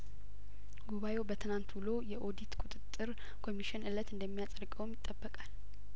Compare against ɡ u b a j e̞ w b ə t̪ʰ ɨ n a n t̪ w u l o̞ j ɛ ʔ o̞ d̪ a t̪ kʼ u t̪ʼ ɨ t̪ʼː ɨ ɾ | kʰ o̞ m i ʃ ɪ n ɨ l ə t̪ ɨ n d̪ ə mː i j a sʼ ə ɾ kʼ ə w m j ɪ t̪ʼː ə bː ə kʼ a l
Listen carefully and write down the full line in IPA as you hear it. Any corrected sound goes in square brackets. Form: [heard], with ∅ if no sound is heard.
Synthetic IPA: ɡ u [β] a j e̞ w b ə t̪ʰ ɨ n a n t̪ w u l o̞ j ɛ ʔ o̞ d̪ [i] t̪ kʼ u t̪ʼ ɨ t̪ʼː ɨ ɾ | kʰ o̞ m i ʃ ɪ n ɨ l ə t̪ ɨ n d̪ ə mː i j a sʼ ə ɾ kʼ ə w m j ɪ t̪ʼː ə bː ə kʼ a l